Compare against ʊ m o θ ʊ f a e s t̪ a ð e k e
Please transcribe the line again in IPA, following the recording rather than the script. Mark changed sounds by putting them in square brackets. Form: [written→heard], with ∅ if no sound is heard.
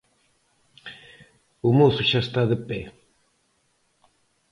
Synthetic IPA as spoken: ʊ m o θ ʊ [f→ʃ] a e s t̪ a ð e [k→p] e

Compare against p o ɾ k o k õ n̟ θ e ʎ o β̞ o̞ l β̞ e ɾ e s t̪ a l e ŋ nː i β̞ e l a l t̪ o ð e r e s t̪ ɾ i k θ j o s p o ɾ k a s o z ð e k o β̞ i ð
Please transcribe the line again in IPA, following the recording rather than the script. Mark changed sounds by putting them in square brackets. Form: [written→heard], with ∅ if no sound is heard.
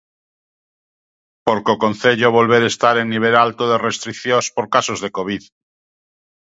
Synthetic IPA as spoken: p o ɾ k o k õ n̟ θ e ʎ o β̞ o̞ l β̞ e ɾ e s t̪ a [l→ɾ] e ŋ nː i β̞ e l a l t̪ o ð e r e s t̪ ɾ i k θ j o s p o ɾ k a s o z ð e k o β̞ i ð

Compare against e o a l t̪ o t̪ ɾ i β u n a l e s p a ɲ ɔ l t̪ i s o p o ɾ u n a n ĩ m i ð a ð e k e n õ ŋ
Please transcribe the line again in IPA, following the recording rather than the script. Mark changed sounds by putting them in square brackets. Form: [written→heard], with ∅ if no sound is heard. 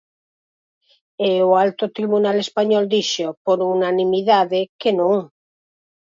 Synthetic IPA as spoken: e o a l t̪ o t̪ ɾ i β u n a l e s p a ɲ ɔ l [t̪→d̪] i [s→ʃ] o p o ɾ u n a n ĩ m i ð a ð e k e n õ ŋ

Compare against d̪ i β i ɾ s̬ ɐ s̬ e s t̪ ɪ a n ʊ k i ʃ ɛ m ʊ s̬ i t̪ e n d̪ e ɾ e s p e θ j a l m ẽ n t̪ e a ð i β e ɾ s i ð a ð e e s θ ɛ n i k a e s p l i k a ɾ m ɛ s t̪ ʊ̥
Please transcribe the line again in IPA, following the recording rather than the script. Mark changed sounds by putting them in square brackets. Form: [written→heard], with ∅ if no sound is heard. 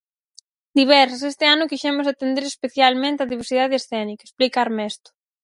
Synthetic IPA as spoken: d̪ i β [i→ɛ] ɾ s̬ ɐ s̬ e s t̪ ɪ a n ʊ k i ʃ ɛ m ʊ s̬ [i→a] t̪ e n d̪ e ɾ e s p e θ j a l m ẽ n t̪ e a ð i β e ɾ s i ð a ð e e s θ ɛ n i k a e s p l i k a ɾ m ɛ s t̪ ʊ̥

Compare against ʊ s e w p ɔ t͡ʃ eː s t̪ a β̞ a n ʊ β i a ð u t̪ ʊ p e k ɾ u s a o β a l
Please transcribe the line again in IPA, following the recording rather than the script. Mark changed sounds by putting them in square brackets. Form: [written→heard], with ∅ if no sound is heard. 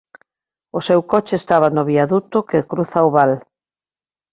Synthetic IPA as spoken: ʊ s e w [p→k] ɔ t͡ʃ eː s t̪ a β̞ a n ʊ β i a ð u t̪ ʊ [p→k] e k ɾ u [s→θ] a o β a l

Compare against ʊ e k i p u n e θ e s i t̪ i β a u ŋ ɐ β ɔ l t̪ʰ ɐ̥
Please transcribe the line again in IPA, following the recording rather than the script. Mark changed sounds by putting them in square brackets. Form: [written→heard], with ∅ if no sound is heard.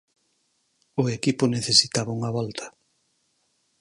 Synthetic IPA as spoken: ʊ e k i p [u→ʊ] n e θ e s i t̪ [i→a] β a u ŋ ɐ β ɔ l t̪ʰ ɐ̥

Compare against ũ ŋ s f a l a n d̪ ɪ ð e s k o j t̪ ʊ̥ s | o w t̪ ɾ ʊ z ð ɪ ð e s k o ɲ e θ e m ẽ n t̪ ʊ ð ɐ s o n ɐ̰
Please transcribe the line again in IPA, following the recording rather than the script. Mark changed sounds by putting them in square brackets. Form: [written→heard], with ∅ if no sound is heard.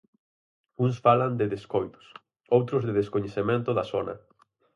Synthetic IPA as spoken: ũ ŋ s f a l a n d̪ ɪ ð e s k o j t̪ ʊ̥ s | o w t̪ ɾ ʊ z ð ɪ ð e s k o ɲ e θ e m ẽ n t̪ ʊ ð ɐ s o n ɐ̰

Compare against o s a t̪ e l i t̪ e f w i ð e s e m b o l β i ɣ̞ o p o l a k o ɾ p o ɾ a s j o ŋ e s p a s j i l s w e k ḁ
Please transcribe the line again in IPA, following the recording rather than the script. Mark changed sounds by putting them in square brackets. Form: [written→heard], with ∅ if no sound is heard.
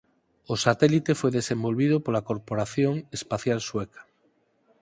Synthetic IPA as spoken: o s a t̪ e l i t̪ e f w [i→e] ð e s e m b o l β i [ɣ̞→ð̞] o p o l a k o ɾ p o ɾ a [s→θ] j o ŋ e s p a [s→θ] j [i→a] l s w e k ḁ

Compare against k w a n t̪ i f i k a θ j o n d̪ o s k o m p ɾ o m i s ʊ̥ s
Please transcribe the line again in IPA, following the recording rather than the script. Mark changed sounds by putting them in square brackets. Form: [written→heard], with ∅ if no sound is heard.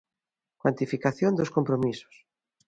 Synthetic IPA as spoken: k w a n t̪ i f i k a θ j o n d̪ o s k o m p ɾ o m i s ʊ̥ s

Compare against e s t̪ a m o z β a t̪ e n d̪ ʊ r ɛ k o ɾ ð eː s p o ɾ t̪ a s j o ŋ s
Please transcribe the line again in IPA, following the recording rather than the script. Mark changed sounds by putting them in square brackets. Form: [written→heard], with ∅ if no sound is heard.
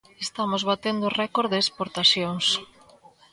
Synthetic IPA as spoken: e s t̪ a m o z β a t̪ e n d̪ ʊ r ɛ k o ɾ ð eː s p o ɾ t̪ a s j o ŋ s

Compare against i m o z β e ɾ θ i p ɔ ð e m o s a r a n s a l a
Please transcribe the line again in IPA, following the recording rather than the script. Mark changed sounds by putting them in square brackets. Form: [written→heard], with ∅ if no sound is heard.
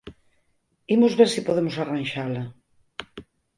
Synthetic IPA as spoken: i m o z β e ɾ [θ→s] i p [ɔ→o] ð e m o s a r a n [s→ʃ] a l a

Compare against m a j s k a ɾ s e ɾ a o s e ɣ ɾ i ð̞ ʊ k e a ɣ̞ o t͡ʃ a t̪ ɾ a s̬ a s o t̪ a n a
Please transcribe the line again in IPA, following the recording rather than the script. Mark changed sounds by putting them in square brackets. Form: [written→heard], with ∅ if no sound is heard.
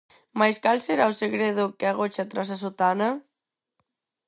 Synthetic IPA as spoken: m a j s k a [ɾ→l] s e ɾ a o s e ɣ ɾ [i→e] ð̞ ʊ k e a ɣ̞ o t͡ʃ a t̪ ɾ a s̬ a s o t̪ a n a

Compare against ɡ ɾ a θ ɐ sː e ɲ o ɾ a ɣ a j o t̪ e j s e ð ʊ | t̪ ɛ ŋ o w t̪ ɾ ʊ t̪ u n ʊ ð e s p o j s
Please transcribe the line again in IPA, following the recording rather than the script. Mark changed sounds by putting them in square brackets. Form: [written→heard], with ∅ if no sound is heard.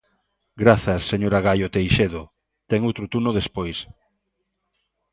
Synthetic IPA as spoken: ɡ ɾ a θ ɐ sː e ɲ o ɾ a ɣ a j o t̪ e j [s→ʃ] e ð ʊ | t̪ ɛ ŋ o w t̪ ɾ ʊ t̪ u n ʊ ð e s p o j s

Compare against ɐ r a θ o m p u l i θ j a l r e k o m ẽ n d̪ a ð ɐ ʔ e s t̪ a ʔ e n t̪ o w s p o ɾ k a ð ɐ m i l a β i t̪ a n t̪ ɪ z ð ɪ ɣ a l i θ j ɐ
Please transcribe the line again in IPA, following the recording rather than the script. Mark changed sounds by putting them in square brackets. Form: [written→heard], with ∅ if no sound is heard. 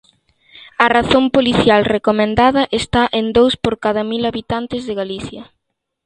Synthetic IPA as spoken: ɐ r a θ o m p [u→o] l i θ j a l r e k o m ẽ n d̪ a ð ɐ ʔ e s t̪ a ʔ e n [t̪→d̪] o w s p o ɾ k a ð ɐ m i l a β i t̪ a n t̪ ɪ z ð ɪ ɣ a l i θ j ɐ

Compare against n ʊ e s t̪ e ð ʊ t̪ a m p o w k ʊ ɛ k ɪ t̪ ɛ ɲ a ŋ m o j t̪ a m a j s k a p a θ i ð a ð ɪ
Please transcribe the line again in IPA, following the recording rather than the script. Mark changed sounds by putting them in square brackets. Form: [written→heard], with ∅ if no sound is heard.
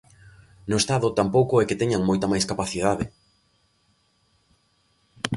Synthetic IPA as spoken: n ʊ e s t̪ [e→a] ð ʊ t̪ a m p o w k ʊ ɛ k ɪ t̪ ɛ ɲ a ŋ m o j t̪ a m a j s k a p a θ i ð a ð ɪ

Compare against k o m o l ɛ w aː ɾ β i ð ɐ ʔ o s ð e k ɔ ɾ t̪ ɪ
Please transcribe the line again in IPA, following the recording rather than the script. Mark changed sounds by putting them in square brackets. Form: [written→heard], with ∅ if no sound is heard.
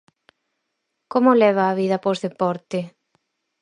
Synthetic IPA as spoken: k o m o l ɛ [w→β] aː [ɾ→∅] β i ð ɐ [ʔ→p] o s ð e [k→p] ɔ ɾ t̪ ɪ

